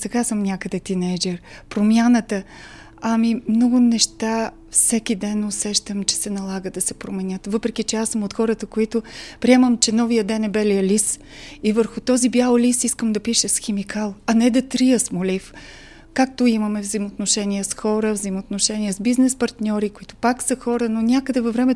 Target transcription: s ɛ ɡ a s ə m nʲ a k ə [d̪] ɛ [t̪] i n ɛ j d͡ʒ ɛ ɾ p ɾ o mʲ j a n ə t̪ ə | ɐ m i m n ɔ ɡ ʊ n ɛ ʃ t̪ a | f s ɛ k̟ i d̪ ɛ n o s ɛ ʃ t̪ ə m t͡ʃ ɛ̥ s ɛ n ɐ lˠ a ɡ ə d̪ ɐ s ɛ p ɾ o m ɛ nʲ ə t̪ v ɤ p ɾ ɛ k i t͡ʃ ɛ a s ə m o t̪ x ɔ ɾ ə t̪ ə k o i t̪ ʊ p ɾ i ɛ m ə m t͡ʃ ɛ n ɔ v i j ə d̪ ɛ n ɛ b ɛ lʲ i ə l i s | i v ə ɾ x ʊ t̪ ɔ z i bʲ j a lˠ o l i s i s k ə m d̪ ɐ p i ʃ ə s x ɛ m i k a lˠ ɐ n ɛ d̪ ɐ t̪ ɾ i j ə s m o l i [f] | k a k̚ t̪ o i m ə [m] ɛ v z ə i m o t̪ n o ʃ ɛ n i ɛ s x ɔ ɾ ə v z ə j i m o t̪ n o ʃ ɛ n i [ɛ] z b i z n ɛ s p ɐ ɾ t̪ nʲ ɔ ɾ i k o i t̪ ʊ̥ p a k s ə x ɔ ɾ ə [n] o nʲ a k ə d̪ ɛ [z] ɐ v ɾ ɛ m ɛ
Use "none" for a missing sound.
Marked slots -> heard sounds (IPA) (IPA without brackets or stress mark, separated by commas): d̪, t̪, f, m, ɛ, n, v